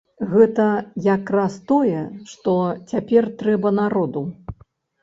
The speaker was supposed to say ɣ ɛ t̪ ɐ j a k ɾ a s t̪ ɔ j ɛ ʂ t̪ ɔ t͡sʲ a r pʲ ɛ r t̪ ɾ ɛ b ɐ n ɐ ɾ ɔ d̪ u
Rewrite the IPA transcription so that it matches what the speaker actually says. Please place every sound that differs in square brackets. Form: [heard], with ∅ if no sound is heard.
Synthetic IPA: ɣ ɛ t̪ ɐ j a k ɾ a s t̪ ɔ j ɛ ʂ t̪ ɔ t͡sʲ a [∅] pʲ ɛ r t̪ ɾ ɛ b ɐ n [a] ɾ ɔ d̪ u